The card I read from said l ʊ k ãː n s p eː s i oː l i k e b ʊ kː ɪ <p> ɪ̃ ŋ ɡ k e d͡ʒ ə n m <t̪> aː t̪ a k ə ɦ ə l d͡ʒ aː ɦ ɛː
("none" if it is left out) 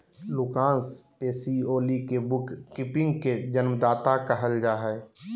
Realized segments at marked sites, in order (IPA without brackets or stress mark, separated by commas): p, d̪